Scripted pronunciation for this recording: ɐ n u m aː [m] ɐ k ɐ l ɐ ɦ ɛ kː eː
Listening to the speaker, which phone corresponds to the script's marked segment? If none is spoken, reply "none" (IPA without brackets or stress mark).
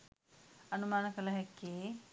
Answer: n